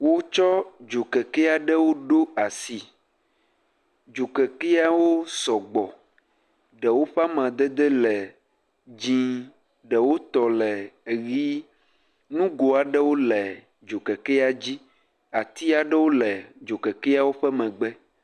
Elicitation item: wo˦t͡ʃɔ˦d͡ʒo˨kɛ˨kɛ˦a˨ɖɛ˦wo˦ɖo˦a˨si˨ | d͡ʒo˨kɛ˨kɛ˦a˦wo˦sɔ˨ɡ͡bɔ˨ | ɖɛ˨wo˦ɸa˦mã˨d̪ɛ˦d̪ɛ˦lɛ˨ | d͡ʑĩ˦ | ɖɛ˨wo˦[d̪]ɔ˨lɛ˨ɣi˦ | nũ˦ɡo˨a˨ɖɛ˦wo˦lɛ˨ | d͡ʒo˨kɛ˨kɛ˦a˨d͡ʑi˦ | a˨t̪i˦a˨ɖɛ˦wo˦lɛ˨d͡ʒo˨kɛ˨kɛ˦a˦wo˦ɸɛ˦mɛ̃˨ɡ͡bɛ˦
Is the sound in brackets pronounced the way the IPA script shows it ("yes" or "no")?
no